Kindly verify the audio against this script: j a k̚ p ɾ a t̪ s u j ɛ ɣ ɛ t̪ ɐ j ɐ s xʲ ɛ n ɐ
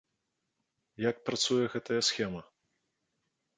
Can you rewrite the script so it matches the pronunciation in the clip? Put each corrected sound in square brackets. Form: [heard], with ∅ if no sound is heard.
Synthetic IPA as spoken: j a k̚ p ɾ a t̪ s u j ɛ ɣ ɛ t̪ ɐ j ɐ s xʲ ɛ [m] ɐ